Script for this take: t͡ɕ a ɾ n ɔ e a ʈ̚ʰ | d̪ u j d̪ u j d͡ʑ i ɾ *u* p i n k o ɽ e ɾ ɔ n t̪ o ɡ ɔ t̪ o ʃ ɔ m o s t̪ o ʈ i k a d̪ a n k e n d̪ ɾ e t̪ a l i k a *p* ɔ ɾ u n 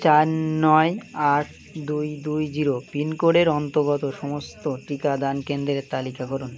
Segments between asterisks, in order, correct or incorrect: incorrect: o, incorrect: k

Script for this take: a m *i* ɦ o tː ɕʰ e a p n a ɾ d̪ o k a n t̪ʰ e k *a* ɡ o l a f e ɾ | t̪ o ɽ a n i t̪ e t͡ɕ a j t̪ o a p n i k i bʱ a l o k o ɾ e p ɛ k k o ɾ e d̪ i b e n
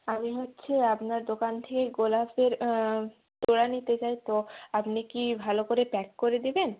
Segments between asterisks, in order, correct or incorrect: correct, incorrect: e

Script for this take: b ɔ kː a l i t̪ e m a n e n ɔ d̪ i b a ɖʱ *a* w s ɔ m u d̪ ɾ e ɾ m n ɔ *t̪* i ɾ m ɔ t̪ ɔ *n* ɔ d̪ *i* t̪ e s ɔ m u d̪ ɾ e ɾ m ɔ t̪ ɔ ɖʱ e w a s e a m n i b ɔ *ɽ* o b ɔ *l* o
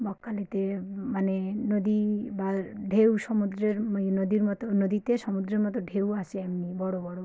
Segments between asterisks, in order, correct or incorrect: incorrect: e, incorrect: d̪, correct, correct, correct, incorrect: ɽ

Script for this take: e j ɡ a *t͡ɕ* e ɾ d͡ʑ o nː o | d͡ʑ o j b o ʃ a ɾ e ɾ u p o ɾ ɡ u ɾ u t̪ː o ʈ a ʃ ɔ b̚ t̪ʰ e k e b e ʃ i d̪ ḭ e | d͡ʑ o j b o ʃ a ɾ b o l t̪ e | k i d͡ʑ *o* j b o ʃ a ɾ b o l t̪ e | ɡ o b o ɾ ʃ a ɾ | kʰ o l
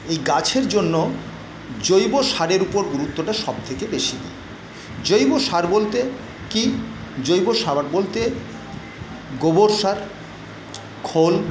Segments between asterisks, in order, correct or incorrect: incorrect: t͡ɕʰ, correct

